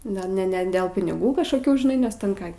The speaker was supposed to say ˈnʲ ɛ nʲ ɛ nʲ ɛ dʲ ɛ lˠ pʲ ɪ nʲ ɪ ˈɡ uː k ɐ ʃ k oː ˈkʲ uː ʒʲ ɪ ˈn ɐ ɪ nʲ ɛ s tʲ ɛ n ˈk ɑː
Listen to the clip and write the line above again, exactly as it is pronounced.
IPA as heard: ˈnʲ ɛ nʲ ɛ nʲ ɛ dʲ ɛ lˠ pʲ ɪ nʲ ɪ ˈɡ uː k ɐ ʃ k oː ˈkʲ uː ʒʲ ɪ ˈn ɐ ɪ nʲ ɛ s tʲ ɛ n ˈk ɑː